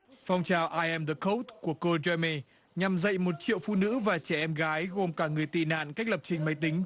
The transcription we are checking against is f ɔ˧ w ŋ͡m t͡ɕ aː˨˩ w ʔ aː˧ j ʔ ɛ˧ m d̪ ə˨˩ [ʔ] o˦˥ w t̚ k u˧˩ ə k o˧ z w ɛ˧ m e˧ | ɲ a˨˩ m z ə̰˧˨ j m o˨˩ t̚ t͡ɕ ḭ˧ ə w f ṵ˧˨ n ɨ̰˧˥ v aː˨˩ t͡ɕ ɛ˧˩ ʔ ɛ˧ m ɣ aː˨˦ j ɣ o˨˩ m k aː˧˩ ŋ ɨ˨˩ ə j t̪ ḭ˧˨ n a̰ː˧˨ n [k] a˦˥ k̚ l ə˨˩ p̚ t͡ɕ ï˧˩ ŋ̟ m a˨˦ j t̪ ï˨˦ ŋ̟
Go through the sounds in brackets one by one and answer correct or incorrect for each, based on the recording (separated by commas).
incorrect, correct